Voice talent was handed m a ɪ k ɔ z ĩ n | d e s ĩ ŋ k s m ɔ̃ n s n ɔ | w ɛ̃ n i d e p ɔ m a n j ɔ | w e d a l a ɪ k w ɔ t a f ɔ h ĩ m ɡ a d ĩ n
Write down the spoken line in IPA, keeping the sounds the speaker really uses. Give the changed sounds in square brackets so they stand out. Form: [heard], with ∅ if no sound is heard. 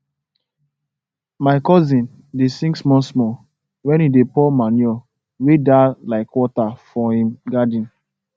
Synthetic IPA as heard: m a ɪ k ɔ z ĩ n | d e s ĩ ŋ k s m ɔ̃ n s [m] ɔ | w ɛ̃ n i d e p ɔ m a n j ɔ | w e d a l a ɪ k w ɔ t a f ɔ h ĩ m ɡ a d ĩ n